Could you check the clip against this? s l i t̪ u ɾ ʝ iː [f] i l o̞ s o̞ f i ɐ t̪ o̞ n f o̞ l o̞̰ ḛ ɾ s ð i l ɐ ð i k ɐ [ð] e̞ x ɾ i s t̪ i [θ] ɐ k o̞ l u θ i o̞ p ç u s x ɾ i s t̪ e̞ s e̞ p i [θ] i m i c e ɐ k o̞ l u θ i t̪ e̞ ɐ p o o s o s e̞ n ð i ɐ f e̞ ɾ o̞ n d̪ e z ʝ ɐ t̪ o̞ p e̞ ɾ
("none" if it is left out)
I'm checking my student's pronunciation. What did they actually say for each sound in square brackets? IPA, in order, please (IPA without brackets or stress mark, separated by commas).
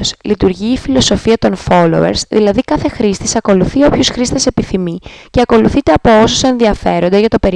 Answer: f, θ, s, θ